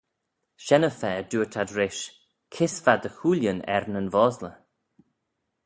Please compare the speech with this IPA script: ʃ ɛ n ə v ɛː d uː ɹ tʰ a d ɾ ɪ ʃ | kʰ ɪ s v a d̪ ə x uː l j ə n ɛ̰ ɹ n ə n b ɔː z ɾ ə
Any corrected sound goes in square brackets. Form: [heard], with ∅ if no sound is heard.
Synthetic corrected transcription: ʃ ɛ n ə [f] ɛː d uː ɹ tʰ a d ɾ ɪ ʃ | kʰ ɪ s v a d̪ ə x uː l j ə n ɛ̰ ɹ n ə n [v] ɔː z [l] ə